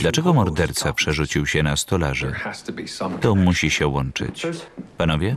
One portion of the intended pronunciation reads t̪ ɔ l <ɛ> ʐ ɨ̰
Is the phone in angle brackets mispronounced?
yes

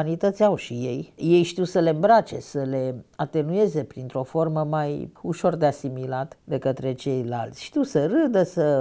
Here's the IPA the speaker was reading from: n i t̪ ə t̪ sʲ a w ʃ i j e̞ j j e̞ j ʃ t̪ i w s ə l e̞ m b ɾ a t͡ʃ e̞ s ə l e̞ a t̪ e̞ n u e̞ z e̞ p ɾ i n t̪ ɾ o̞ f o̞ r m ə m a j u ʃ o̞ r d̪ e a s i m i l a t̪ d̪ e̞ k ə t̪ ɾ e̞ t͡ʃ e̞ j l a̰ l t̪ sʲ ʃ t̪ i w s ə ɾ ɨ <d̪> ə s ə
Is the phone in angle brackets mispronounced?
no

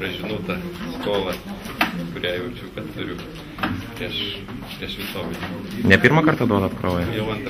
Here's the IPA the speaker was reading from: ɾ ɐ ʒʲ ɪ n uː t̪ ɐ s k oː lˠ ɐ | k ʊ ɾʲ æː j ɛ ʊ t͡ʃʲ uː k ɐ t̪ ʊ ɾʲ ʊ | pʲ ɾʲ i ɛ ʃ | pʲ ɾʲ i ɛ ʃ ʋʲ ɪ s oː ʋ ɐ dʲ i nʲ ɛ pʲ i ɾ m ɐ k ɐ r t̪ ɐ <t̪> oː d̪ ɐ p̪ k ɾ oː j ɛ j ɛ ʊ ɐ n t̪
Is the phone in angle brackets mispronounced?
yes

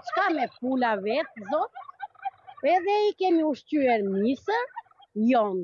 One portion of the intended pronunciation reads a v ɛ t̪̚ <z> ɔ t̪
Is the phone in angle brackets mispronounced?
no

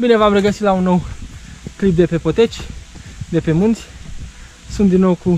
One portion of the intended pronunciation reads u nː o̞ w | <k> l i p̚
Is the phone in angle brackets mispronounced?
no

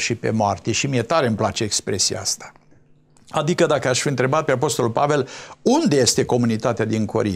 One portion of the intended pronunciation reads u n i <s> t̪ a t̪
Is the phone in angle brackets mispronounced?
yes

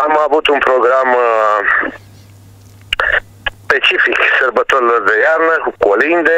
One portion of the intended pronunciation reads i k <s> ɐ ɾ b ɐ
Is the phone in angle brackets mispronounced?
no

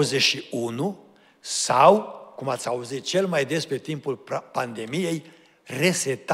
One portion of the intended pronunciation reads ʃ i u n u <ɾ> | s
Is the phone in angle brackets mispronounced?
yes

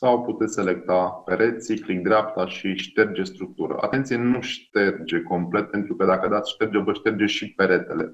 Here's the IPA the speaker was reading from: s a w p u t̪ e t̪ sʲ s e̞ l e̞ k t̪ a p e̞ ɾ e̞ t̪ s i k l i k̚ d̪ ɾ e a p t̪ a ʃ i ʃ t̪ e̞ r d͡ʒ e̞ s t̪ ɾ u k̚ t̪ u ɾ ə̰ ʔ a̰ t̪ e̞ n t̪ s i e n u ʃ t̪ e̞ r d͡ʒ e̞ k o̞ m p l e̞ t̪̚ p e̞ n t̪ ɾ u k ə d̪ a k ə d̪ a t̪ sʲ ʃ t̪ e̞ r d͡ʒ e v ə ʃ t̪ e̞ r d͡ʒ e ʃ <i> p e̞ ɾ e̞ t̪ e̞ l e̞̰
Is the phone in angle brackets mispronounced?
no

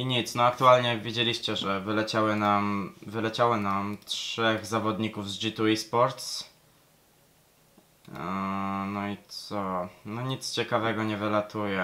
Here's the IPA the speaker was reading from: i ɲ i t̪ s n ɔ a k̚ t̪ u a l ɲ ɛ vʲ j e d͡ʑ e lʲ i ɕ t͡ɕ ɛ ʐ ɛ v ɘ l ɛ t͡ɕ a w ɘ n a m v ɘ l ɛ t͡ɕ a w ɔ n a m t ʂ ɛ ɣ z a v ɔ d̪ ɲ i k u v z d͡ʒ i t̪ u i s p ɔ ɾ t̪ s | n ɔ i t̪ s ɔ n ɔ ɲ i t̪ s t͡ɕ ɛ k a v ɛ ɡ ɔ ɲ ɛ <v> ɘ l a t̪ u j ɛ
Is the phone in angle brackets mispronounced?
no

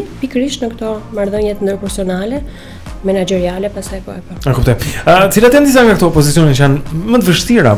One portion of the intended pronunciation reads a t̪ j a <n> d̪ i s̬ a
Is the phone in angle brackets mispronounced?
no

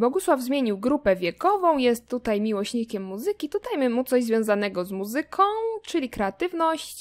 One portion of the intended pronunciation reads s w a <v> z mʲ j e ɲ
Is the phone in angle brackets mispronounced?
no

